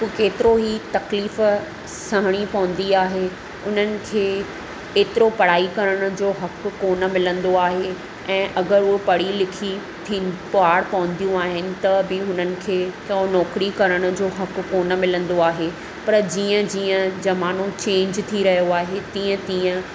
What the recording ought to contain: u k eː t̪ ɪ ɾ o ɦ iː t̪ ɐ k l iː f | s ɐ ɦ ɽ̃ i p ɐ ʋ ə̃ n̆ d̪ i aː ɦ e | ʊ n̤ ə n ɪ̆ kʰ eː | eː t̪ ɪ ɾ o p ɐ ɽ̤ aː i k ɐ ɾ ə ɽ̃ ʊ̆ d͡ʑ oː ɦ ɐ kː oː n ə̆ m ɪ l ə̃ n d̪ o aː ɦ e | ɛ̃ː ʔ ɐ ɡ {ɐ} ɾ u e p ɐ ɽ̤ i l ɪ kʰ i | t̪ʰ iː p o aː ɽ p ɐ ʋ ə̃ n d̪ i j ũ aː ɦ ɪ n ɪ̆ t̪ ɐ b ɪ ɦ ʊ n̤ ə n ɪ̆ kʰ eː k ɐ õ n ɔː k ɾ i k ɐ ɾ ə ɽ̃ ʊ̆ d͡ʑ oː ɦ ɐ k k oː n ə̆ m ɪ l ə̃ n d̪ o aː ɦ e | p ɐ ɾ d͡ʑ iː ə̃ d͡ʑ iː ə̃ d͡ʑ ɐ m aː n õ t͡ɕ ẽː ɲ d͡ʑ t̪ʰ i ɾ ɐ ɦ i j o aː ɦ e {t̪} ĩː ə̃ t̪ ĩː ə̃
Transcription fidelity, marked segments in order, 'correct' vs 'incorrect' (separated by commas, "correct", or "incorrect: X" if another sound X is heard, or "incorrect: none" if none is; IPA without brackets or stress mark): incorrect: ə, correct